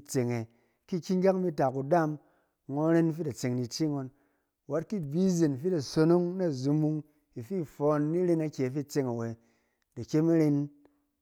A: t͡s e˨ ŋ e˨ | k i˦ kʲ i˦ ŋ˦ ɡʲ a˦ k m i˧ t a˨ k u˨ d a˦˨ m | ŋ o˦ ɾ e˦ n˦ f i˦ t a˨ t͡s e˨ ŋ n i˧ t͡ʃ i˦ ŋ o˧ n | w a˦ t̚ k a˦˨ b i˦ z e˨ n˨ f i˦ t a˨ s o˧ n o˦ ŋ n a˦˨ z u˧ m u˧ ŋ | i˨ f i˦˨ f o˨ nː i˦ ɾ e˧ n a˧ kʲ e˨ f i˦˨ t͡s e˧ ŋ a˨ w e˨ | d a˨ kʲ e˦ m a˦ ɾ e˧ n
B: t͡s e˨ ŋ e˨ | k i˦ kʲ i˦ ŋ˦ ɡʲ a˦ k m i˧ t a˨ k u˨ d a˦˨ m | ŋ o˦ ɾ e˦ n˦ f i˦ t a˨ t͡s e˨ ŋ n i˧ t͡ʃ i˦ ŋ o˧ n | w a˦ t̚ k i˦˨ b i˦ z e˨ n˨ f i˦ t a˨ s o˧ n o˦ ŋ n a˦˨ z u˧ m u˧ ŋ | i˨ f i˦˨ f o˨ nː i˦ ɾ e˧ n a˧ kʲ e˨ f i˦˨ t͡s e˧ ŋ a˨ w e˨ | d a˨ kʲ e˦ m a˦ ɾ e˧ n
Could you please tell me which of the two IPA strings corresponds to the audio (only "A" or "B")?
B